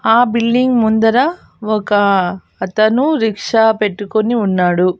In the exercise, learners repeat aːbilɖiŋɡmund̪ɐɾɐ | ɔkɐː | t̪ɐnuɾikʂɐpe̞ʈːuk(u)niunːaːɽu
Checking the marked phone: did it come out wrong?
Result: yes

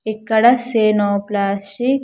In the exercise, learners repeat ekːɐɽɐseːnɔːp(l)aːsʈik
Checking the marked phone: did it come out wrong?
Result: no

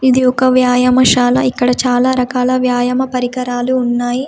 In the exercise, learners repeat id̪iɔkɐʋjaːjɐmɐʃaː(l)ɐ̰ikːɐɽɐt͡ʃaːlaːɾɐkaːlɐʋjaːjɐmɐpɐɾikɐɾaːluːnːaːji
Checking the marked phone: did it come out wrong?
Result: no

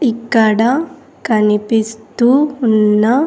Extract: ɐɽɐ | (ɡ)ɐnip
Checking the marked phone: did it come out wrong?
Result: yes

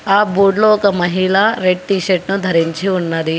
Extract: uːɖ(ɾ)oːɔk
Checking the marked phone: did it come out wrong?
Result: yes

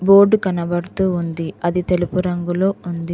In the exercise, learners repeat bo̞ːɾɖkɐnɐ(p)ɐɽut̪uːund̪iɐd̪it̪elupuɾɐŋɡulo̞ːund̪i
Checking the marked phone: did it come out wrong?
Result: yes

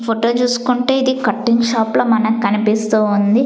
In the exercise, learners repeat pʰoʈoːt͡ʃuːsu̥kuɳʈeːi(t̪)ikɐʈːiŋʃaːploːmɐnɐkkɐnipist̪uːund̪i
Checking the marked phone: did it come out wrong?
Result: yes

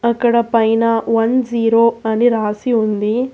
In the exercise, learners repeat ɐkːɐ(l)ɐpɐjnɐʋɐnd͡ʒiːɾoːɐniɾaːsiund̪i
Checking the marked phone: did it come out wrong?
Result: yes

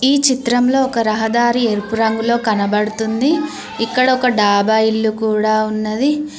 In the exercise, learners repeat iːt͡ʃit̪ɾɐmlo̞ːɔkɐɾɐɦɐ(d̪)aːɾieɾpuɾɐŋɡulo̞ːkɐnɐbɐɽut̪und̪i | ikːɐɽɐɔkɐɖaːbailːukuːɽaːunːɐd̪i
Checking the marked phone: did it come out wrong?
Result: no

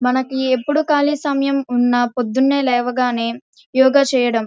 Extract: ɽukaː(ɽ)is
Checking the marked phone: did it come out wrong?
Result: yes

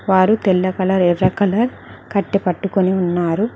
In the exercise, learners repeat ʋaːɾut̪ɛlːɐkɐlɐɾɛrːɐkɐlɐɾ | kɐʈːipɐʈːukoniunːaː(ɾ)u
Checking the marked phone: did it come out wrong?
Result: no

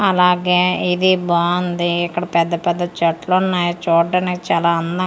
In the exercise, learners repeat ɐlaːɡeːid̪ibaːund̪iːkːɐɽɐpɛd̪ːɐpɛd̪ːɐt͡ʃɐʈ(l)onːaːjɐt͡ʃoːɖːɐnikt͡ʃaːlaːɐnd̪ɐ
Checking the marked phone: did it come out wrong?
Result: no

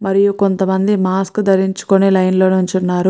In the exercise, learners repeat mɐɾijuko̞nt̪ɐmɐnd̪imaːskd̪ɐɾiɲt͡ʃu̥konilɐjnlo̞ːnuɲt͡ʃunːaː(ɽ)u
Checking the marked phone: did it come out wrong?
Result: yes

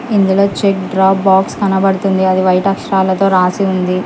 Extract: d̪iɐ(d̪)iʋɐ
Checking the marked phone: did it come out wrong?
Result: no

